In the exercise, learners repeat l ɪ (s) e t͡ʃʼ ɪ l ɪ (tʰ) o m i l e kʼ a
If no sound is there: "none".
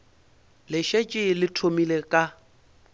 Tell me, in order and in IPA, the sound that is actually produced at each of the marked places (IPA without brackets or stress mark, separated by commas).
ʃ, tʰ